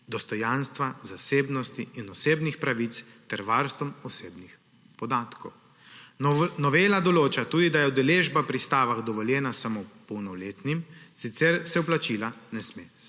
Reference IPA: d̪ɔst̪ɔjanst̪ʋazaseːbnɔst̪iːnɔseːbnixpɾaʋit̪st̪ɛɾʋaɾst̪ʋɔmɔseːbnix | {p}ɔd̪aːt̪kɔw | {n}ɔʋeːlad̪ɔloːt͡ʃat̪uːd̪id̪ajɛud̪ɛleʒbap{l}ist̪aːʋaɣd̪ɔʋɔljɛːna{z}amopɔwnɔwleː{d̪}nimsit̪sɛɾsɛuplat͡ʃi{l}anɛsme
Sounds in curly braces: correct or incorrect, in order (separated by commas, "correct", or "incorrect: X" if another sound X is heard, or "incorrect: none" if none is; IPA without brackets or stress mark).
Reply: correct, correct, incorrect: ɾ, incorrect: s, incorrect: t̪, correct